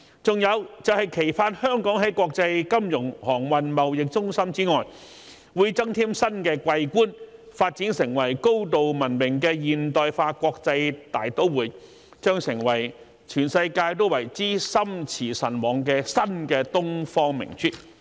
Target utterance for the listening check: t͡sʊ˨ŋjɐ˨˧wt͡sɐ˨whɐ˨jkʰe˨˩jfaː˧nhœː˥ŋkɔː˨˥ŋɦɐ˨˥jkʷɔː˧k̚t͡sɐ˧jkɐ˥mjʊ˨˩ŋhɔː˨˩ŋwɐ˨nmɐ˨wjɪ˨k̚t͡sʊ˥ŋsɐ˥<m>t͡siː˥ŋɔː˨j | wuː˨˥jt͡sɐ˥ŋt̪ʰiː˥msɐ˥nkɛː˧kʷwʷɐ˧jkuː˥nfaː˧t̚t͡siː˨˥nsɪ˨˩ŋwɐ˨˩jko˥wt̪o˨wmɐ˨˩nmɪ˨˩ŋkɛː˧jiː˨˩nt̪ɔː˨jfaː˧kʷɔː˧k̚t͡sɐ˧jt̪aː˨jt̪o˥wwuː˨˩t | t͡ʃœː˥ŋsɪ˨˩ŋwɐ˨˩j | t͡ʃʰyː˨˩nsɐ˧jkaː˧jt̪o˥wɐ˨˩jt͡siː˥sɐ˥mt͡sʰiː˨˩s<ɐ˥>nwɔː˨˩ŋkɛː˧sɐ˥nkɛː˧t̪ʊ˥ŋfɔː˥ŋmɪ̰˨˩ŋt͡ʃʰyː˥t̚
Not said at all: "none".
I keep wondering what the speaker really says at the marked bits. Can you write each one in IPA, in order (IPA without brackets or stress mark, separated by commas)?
m, ɐ˨˩